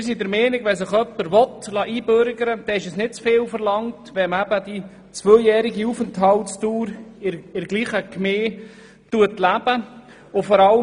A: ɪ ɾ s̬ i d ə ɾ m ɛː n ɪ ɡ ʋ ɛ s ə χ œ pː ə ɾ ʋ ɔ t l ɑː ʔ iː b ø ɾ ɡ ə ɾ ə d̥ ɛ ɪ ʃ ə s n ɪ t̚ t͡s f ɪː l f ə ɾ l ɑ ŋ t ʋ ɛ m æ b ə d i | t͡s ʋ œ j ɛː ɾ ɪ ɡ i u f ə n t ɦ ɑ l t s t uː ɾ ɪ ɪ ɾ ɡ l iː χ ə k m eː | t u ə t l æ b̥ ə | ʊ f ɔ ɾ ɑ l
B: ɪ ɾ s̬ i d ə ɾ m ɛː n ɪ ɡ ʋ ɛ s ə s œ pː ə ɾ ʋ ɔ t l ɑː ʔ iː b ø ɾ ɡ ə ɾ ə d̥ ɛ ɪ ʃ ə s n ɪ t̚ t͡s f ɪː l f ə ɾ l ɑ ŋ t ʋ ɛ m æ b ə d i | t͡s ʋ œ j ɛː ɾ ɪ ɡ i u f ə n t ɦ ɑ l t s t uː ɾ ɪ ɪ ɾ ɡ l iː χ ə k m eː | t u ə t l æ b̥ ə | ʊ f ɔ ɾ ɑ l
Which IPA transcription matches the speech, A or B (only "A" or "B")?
A